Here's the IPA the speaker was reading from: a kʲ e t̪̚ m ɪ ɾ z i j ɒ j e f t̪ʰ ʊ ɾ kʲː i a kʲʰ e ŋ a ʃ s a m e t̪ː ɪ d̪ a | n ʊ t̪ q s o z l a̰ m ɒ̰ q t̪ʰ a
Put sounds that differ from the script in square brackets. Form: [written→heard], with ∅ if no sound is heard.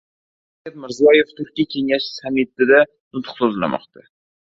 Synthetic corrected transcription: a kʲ [e→a] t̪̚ m ɪ ɾ z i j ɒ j e f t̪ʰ ʊ ɾ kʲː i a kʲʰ e ŋ a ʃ s a m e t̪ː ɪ d̪ a | n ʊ t̪ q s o z l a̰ m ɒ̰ q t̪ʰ a